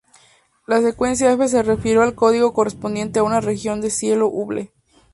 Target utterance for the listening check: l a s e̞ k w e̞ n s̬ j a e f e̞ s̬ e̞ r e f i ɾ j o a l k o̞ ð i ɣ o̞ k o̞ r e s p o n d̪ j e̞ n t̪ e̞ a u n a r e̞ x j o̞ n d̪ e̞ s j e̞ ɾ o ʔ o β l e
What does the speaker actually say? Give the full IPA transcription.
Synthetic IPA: l a s e̞ k w e̞ n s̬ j a e f e̞ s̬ e̞ r e f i ɾ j o a l k o̞ ð i ɣ o̞ k o̞ r e s p o n d̪ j e̞ n t̪ e̞ a u n a r e̞ x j o̞ n d̪ e̞ s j e̞ l o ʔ u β l e